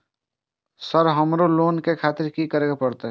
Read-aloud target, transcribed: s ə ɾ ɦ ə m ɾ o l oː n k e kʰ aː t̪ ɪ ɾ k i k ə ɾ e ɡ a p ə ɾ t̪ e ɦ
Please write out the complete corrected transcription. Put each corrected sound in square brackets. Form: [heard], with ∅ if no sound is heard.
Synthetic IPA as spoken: s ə ɾ ɦ ə m ɾ o l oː n k e kʰ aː t̪ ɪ ɾ k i k ə ɾ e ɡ a p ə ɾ t̪ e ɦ